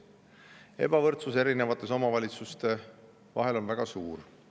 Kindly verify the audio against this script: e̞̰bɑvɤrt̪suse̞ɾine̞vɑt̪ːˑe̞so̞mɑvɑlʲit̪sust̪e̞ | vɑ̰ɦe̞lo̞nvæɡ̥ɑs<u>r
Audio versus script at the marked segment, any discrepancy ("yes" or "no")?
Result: yes